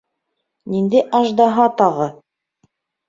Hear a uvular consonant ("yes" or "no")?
yes